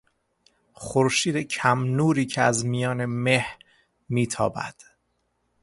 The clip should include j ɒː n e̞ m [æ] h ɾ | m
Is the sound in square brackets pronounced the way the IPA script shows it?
no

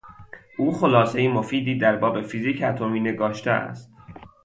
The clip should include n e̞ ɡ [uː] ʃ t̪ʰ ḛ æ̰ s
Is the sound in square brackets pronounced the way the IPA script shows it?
no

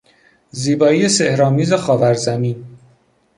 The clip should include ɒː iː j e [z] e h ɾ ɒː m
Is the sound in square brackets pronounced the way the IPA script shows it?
no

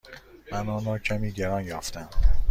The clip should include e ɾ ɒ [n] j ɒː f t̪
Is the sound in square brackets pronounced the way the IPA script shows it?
yes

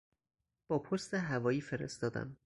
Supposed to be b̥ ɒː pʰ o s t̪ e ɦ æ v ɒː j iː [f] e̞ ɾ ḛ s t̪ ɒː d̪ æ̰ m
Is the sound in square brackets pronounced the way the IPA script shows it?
yes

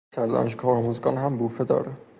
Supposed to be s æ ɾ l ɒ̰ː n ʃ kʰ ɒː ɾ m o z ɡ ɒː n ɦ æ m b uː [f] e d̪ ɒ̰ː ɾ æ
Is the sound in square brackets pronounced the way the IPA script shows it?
yes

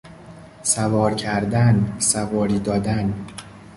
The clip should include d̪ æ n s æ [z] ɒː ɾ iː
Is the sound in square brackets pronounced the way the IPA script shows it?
no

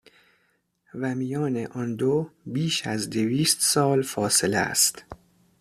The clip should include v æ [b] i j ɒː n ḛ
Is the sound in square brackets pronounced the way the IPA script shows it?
no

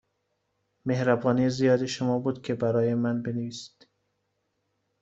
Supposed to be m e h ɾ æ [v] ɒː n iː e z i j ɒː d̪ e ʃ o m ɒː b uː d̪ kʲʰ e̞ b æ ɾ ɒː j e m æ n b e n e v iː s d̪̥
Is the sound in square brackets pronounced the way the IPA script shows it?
no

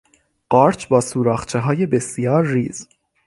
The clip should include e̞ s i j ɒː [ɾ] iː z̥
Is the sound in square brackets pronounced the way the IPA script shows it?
no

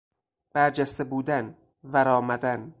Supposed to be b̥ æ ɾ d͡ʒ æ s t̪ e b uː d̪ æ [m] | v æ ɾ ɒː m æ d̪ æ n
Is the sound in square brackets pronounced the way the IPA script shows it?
no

